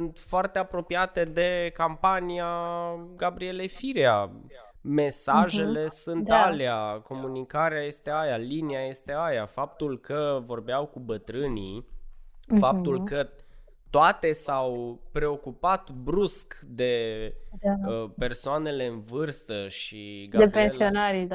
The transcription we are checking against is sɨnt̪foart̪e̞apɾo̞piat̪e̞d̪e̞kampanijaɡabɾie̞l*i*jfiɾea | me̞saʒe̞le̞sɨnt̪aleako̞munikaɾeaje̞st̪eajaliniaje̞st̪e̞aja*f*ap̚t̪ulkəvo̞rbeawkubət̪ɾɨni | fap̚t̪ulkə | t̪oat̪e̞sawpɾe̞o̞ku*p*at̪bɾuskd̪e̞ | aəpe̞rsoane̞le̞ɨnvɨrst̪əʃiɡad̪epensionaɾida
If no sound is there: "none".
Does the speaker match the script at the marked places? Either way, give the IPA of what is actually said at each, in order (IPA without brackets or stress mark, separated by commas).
e, f, p